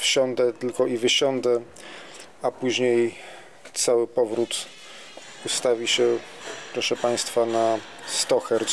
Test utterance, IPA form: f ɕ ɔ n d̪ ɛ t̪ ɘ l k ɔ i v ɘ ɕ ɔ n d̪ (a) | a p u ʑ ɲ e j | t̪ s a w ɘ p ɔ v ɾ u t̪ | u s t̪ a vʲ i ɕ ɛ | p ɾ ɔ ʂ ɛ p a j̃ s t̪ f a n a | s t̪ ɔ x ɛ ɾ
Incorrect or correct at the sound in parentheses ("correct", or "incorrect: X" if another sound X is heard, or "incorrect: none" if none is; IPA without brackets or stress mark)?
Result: incorrect: ɛ